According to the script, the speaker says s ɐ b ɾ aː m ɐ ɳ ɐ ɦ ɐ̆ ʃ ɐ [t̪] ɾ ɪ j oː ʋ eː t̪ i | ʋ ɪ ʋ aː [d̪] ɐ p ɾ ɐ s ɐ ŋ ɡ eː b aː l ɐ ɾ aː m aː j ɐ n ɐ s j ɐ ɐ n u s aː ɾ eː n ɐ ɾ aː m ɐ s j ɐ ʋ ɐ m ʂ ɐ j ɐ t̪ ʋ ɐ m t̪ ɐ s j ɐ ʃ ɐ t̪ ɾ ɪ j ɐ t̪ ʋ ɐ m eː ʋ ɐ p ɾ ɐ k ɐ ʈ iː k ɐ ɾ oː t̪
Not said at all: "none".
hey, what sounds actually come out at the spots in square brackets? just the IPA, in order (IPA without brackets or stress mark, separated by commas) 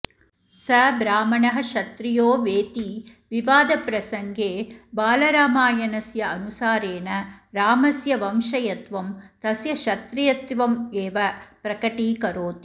t̪, d̪